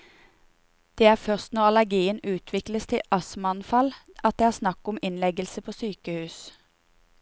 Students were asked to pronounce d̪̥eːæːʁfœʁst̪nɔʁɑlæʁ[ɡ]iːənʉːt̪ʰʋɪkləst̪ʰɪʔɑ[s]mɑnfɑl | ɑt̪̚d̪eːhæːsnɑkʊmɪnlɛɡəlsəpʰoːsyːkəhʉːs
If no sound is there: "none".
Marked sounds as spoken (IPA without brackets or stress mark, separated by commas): ɡ, s